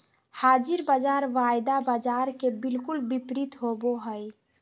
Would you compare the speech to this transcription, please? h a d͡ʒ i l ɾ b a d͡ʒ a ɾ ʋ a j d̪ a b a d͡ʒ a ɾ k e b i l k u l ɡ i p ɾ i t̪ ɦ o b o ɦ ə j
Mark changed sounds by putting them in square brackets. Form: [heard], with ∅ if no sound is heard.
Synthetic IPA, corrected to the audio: h a d͡ʒ i [∅] ɾ b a d͡ʒ a ɾ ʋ a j d̪ a b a d͡ʒ a ɾ k e b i l k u l [b] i p ɾ i t̪ ɦ o b o ɦ ə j